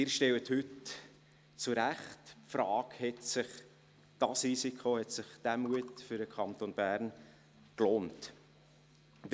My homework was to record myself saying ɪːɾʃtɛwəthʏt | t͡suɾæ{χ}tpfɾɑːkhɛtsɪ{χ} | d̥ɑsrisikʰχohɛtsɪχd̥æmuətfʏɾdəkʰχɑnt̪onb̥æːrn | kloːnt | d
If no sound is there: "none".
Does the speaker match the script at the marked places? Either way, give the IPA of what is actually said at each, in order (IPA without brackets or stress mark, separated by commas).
χ, χ